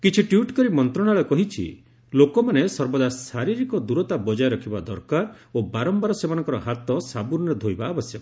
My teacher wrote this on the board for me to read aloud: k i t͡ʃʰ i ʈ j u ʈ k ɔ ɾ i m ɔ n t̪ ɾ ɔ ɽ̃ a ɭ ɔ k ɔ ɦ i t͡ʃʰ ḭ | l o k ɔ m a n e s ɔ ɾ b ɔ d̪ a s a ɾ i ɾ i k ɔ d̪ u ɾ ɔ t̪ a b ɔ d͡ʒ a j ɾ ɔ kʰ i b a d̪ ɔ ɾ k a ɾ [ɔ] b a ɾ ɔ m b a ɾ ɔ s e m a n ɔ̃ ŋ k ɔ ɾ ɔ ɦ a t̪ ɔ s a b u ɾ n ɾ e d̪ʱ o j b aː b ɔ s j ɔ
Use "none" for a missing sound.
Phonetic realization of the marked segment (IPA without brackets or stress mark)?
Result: o